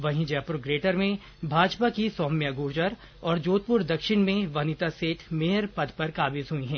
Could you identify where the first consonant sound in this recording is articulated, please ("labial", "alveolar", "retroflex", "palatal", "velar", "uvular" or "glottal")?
labial